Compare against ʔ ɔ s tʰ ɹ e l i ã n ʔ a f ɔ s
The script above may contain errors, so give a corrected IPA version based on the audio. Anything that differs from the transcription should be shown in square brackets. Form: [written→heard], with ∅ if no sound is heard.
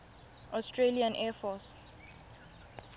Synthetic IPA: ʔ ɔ s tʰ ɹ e l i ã n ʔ [a→ɛ] f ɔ s